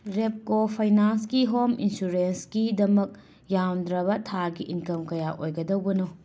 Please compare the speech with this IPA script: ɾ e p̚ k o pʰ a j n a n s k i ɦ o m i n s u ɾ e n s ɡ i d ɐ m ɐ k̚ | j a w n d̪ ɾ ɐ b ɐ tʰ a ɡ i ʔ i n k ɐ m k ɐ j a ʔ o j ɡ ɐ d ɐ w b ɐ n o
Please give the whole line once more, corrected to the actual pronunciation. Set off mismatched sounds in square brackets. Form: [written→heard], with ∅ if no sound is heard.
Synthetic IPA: ɾ e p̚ k o pʰ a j n a n s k i ɦ o m i n s u ɾ e n s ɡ i d ɐ m ɐ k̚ | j a w n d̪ ɾ ɐ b ɐ tʰ a ɡ i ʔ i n k ɐ m k ɐ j a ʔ o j ɡ ɐ d ɐ w b ɐ n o